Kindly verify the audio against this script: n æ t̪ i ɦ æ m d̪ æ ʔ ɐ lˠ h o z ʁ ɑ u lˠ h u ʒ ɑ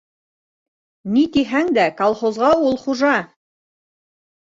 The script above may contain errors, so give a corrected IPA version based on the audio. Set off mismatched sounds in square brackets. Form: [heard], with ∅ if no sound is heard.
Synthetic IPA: n [i] t̪ i ɦ æ [ŋ] d̪ æ [k] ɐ lˠ [χ] o z ʁ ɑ u lˠ [χ] u ʒ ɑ